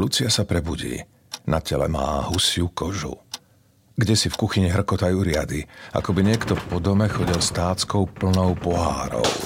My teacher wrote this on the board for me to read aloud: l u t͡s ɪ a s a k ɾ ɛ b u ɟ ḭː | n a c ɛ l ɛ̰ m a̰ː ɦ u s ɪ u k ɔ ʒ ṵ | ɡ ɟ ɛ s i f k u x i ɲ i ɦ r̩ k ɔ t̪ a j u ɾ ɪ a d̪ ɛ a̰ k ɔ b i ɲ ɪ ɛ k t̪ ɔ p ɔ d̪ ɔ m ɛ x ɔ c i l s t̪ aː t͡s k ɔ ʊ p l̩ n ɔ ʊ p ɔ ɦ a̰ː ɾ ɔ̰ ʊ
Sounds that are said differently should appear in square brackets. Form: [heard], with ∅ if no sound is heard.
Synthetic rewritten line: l u t͡s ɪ a s a [p] ɾ ɛ b u ɟ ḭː | n a c ɛ l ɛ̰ m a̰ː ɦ u s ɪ u k ɔ ʒ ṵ | ɡ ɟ ɛ s i f k u x i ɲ i ɦ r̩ k ɔ t̪ a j u ɾ ɪ a d̪ [i] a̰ k ɔ b i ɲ ɪ ɛ k t̪ ɔ p ɔ d̪ ɔ m ɛ x ɔ [ɟ] i l s t̪ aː t͡s k ɔ ʊ p l̩ n ɔ ʊ p ɔ ɦ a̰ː ɾ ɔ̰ ʊ